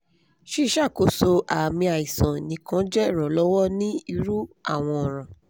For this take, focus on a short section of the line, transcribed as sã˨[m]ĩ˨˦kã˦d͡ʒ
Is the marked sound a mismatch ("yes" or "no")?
yes